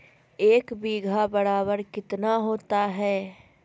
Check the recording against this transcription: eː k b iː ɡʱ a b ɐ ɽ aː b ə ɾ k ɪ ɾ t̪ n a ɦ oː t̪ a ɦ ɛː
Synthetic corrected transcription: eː k b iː ɡʱ a b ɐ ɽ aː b ə ɾ k ɪ t̪ n a ɦ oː t̪ a ɦ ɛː